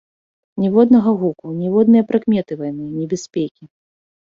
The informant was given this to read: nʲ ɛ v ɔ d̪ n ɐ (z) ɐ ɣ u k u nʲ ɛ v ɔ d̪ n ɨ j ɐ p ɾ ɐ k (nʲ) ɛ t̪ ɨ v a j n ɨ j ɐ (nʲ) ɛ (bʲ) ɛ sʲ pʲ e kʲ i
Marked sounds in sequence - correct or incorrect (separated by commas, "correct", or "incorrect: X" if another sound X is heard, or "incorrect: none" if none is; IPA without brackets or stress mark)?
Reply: incorrect: ɣ, incorrect: mʲ, correct, correct